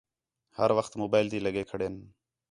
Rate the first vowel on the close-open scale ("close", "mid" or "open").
mid